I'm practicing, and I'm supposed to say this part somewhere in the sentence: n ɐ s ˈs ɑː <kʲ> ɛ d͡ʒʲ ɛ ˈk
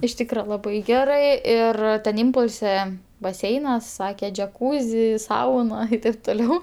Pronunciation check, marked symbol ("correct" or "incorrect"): correct